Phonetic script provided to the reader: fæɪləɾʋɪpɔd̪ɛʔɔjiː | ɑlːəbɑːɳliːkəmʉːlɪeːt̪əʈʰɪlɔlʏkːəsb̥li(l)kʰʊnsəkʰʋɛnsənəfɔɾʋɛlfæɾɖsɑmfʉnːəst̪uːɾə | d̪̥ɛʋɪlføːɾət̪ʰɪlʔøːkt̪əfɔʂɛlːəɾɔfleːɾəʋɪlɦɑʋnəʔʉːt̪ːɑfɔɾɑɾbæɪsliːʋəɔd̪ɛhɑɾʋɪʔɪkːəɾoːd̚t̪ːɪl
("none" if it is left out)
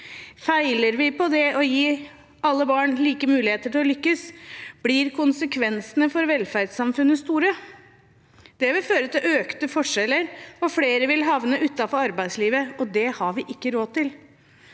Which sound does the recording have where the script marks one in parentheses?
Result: ɾ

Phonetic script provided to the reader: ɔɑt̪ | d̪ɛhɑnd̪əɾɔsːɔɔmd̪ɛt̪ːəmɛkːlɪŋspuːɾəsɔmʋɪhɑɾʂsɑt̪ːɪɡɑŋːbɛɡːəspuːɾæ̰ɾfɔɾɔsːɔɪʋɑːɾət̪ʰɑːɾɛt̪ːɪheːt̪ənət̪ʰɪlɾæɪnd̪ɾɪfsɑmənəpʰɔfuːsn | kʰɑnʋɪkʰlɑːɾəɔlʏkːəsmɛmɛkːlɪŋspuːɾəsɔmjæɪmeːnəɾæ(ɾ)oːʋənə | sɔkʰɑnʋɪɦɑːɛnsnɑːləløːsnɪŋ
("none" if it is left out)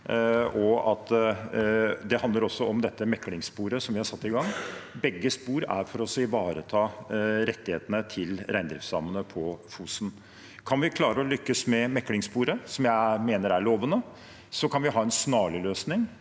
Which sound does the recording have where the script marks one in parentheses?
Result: ɭ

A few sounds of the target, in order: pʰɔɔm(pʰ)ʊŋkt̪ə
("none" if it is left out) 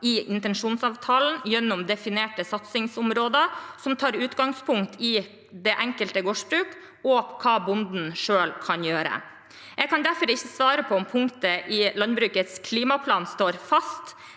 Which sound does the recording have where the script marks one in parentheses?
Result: pʰ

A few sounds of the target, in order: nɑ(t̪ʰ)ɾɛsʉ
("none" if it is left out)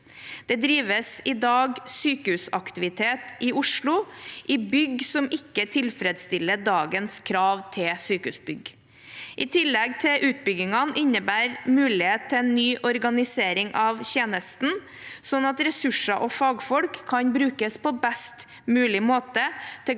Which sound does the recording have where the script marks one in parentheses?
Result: t̪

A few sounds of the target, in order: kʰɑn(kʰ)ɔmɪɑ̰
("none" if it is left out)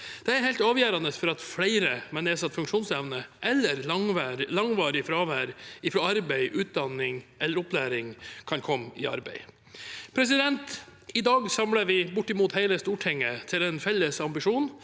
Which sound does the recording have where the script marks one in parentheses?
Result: kʰ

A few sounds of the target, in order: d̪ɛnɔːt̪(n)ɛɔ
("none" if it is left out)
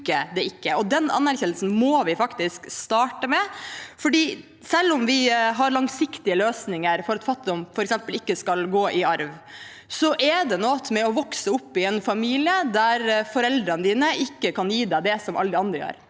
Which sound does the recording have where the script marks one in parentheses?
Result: m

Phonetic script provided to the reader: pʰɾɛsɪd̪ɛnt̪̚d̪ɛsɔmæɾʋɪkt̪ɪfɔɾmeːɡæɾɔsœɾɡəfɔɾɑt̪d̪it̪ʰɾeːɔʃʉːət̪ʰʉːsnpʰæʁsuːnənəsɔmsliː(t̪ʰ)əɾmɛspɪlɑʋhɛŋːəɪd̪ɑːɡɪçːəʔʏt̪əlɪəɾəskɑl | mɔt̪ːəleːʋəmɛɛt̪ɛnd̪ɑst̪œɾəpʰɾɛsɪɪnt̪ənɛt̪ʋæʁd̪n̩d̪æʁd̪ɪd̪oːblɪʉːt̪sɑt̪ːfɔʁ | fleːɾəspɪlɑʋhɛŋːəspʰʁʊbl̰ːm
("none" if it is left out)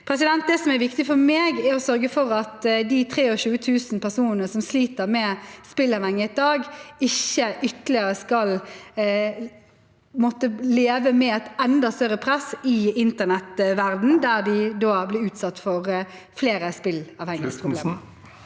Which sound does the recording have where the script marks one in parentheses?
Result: t̪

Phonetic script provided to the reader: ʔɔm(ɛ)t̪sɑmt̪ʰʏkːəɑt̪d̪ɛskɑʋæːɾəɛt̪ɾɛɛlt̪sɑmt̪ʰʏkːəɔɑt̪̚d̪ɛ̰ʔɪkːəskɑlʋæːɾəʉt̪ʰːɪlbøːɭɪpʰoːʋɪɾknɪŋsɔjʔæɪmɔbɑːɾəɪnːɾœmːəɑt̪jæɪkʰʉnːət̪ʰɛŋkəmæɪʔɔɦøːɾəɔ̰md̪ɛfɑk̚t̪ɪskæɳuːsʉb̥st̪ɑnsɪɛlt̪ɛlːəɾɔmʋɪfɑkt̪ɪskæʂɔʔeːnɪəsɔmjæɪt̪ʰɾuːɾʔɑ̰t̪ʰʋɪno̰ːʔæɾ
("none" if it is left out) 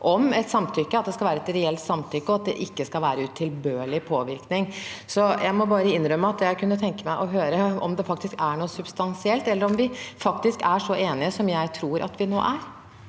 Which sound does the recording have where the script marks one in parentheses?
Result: ɛ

